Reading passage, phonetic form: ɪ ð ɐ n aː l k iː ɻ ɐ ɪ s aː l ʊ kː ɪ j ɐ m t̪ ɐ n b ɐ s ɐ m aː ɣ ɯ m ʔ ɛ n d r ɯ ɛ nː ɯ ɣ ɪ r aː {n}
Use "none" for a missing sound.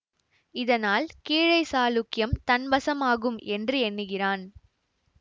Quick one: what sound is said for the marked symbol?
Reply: n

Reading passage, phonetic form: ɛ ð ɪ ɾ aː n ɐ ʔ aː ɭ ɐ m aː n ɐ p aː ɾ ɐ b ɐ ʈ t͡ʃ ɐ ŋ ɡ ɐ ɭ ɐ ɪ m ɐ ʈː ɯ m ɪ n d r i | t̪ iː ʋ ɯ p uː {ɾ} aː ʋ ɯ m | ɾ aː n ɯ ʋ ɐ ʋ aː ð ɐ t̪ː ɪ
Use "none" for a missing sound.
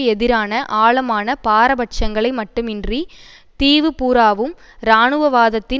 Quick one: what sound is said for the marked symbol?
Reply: ɾ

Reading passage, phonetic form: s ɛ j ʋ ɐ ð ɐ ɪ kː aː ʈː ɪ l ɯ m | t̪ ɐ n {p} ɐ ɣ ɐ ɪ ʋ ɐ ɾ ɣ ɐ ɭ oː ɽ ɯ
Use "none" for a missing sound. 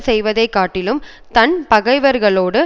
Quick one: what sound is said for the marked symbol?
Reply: p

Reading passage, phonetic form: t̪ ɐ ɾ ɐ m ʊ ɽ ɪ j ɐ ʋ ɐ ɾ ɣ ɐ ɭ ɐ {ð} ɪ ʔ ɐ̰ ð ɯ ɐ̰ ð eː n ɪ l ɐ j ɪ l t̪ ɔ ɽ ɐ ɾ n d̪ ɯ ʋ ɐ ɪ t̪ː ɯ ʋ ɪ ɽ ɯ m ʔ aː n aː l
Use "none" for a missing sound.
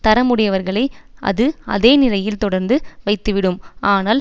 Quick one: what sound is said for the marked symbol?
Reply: none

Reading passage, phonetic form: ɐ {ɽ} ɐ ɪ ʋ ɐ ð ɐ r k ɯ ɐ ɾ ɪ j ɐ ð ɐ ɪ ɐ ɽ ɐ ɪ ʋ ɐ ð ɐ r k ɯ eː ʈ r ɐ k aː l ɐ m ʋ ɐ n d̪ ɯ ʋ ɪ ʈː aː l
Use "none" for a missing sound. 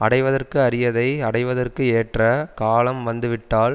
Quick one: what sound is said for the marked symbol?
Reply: ɽ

